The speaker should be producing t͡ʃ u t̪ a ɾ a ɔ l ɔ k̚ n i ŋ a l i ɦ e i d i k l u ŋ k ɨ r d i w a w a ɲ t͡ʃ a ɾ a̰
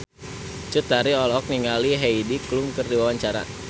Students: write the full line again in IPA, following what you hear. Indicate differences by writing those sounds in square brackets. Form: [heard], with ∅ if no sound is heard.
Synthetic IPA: t͡ʃ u t̪ a ɾ [i] ɔ l ɔ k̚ n i ŋ a l i ɦ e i d i k l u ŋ k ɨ r d i w a w a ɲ t͡ʃ a ɾ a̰